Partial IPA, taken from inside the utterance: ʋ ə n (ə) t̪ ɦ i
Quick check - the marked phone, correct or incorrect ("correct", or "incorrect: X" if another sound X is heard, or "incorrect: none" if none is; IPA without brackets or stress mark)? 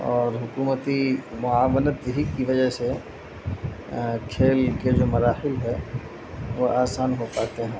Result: correct